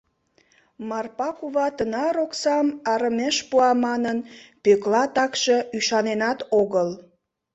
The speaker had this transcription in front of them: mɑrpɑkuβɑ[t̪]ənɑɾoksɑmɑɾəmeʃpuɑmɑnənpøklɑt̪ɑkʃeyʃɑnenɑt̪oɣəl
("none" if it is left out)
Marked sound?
t̪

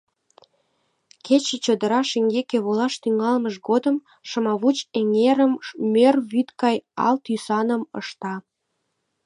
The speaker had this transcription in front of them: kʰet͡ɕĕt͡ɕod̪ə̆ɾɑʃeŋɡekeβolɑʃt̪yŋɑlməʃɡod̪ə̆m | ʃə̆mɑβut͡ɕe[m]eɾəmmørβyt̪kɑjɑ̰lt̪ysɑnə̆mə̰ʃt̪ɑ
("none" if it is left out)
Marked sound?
ŋ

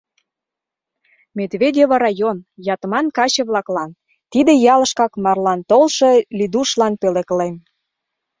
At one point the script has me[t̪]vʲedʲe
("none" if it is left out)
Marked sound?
d̪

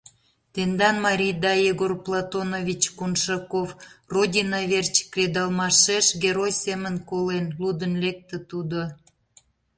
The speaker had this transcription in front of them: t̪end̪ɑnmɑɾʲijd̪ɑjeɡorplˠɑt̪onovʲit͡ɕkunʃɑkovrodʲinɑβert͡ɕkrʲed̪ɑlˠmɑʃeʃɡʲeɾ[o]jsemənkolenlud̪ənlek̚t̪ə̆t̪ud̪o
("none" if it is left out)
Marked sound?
o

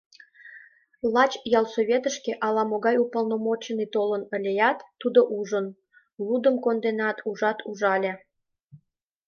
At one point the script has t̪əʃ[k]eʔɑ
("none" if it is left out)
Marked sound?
k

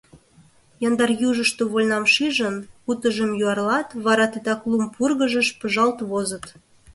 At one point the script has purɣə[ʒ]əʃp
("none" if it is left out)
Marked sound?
ʒ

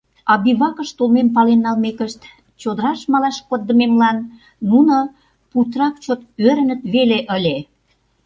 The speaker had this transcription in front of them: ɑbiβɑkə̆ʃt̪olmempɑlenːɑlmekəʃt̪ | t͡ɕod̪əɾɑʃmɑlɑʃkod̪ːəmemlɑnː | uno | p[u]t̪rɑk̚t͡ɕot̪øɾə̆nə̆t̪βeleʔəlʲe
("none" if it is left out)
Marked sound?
u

